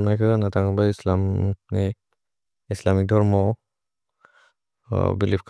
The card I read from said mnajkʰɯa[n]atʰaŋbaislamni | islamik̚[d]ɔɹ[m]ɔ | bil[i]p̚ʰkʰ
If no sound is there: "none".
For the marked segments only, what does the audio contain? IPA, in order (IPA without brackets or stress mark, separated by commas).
n, d, m, i